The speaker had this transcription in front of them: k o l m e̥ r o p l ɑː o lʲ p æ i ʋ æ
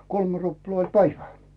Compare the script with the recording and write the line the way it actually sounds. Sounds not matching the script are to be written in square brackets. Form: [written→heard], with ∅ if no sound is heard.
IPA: k o l m e̥ r [o→u] p l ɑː o lʲ p æ i ʋ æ